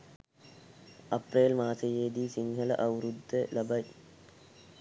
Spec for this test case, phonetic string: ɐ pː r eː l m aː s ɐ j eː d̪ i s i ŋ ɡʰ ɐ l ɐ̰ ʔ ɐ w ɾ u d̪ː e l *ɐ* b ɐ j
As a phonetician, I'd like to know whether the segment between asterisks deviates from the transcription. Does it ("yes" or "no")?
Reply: no